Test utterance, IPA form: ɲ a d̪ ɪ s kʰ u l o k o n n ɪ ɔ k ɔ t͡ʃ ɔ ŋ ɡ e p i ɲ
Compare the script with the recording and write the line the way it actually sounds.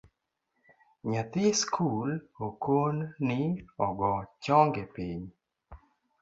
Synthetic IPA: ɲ a t̪ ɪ s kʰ u l o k o n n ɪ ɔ ɡ ɔ t͡ʃ ɔ ŋ ɡ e p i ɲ